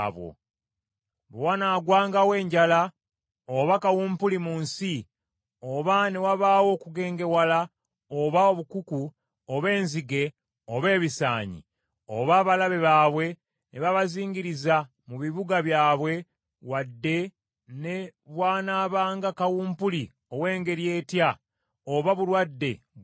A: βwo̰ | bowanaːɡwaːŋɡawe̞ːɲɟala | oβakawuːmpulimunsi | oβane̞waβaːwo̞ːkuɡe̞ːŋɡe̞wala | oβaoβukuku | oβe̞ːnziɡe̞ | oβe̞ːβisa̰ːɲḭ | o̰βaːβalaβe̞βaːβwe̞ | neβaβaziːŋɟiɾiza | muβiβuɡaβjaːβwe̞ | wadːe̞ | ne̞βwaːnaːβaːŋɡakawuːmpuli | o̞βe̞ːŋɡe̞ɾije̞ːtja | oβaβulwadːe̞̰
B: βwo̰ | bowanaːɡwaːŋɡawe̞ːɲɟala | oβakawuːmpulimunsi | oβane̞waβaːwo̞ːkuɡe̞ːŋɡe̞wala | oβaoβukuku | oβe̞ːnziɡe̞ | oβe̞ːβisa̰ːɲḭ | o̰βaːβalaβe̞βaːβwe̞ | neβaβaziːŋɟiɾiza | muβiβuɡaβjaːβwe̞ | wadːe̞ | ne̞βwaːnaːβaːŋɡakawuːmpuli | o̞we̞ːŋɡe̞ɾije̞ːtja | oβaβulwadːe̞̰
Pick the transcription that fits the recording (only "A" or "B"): B